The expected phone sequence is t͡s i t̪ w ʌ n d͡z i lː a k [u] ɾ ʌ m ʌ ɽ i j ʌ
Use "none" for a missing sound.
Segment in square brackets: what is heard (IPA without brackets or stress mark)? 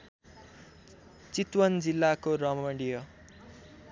o